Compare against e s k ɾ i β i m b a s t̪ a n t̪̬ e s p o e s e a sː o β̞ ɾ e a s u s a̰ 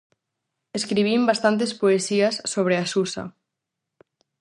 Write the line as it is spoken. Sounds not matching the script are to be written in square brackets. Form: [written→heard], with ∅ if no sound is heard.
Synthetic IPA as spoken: e s k ɾ i β i m b a s t̪ a n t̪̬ e s p o e s [e→i] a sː o β̞ ɾ e a s u s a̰